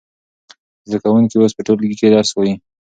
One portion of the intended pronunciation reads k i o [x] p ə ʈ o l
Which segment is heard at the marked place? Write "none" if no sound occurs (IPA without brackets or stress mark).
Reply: s